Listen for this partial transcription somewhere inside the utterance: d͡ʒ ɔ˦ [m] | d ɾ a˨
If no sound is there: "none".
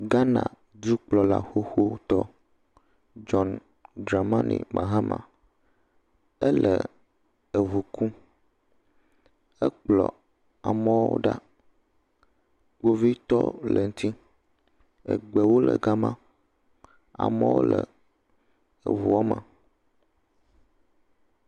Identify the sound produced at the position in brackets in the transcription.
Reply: n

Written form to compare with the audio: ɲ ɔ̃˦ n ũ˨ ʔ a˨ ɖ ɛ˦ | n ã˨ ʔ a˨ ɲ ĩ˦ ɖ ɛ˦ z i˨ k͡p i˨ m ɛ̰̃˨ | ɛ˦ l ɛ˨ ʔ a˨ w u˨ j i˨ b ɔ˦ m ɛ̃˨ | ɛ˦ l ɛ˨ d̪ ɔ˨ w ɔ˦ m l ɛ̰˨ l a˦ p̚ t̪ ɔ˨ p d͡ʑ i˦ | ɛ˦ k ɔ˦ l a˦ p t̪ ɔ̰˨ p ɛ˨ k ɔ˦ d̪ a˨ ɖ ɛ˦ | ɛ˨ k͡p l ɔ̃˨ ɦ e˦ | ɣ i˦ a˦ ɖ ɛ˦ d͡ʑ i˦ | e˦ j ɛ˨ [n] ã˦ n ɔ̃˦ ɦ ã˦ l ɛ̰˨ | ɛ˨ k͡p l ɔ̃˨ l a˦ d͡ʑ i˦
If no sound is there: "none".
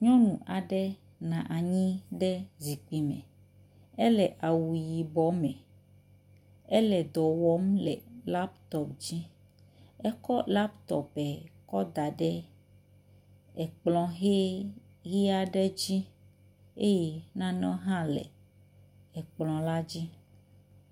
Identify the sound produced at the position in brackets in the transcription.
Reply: n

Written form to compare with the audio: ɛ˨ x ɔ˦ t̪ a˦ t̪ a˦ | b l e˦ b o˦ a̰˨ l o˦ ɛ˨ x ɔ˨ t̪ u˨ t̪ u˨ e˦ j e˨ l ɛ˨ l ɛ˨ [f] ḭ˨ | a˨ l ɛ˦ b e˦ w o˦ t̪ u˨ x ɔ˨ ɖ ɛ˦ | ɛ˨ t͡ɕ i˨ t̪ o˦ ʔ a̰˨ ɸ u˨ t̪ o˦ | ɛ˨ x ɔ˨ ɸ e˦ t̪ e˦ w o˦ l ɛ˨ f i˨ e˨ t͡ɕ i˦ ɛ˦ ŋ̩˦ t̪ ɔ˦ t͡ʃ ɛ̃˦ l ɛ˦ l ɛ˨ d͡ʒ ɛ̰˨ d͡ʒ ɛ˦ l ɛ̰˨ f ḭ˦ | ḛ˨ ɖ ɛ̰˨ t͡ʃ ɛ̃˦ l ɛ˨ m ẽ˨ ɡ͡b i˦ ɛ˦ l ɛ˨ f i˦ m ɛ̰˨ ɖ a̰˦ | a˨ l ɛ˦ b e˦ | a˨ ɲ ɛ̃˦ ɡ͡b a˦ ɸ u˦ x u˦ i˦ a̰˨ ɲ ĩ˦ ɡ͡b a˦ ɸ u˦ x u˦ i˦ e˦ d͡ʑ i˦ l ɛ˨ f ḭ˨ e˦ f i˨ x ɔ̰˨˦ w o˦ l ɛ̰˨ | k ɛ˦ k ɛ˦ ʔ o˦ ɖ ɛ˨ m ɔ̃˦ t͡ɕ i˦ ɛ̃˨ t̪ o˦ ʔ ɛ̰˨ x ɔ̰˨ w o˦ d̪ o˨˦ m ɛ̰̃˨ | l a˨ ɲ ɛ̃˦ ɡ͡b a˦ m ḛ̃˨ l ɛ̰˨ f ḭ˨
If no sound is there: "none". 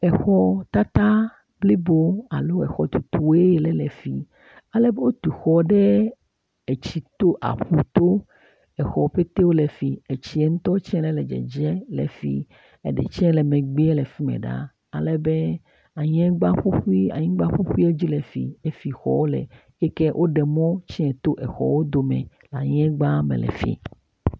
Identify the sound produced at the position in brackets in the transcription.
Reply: f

